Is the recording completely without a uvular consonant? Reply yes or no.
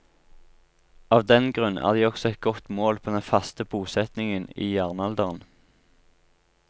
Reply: no